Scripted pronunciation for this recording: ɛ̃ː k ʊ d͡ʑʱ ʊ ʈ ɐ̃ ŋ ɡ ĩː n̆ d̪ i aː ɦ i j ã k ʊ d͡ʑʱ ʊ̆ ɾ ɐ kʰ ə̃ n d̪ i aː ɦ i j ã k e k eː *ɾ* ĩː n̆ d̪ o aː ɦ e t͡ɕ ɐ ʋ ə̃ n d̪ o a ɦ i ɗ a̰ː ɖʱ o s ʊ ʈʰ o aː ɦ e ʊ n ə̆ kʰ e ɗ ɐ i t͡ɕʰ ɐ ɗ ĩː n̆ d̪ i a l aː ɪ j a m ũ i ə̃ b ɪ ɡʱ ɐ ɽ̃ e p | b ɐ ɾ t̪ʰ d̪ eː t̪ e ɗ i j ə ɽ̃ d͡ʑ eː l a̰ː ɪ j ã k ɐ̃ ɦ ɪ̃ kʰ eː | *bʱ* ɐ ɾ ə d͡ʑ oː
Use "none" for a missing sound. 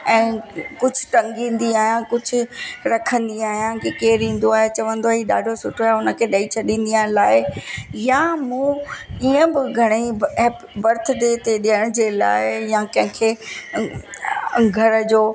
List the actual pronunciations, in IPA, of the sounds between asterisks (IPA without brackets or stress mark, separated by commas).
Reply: ɾ, ɡʱ